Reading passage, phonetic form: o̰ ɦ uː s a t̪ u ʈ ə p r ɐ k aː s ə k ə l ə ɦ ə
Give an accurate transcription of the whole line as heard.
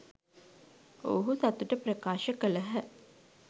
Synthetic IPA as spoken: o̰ ɦ u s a t̪ u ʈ ə p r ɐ k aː ʃ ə k ə l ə ɦ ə